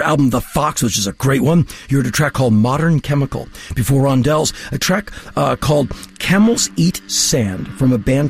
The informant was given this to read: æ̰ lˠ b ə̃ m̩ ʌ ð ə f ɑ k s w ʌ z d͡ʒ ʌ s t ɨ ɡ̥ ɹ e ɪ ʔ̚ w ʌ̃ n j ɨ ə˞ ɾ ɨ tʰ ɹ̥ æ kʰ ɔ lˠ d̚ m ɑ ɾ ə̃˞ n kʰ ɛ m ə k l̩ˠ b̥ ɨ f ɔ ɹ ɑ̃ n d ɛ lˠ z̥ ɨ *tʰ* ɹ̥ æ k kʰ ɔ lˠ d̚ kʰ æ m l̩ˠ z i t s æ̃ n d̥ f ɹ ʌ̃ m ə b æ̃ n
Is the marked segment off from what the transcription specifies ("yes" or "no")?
no